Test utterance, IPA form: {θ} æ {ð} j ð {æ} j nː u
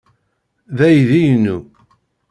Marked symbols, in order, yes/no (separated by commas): no, no, no